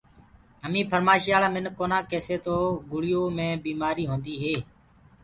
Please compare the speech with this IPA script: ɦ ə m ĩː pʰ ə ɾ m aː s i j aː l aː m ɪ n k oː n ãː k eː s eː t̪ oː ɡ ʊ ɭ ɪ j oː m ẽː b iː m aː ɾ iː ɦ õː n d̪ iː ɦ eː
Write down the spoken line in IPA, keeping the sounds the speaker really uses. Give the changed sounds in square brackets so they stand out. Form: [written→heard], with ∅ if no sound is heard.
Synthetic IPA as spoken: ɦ ə m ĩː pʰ ə ɾ m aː [s→ʃ] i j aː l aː m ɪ n k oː n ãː k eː s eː t̪ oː ɡ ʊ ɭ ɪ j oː m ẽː b iː m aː ɾ iː ɦ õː n d̪ iː ɦ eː